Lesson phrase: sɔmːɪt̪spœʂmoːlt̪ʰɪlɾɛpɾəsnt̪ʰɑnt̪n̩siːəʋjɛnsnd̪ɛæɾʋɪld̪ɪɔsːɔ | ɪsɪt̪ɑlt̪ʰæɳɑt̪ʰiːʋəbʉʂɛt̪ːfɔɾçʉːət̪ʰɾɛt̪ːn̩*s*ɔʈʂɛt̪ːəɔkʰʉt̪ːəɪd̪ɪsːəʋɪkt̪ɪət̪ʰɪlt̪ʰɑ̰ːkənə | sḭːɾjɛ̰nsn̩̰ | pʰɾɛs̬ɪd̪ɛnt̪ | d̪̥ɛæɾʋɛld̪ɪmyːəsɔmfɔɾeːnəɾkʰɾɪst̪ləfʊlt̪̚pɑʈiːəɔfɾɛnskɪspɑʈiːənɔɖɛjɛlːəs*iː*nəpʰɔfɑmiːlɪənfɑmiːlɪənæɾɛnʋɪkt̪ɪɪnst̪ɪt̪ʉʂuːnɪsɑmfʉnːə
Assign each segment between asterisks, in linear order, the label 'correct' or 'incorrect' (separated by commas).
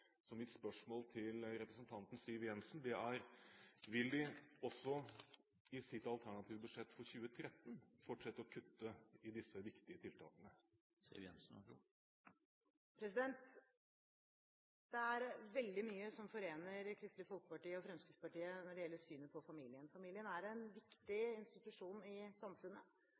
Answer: incorrect, incorrect